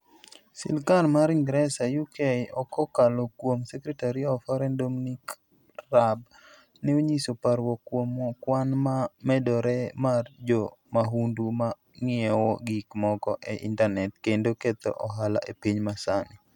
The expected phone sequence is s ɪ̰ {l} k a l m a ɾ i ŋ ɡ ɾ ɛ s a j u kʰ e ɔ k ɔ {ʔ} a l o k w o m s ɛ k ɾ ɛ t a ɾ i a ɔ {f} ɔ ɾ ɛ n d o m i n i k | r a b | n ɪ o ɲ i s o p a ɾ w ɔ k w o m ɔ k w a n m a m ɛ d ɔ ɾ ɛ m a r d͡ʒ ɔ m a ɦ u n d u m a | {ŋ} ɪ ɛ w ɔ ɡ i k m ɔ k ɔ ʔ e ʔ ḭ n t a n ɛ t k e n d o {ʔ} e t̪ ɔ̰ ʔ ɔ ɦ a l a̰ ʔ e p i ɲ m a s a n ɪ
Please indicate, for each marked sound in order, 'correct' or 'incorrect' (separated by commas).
correct, incorrect, correct, correct, incorrect